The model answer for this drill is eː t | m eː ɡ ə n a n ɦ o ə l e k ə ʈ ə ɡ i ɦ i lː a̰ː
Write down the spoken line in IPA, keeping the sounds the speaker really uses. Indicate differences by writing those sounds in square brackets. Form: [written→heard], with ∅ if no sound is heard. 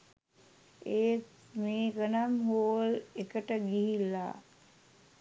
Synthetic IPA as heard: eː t | m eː ɡ ə n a [n→m] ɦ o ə l e k ə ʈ ə ɡ i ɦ i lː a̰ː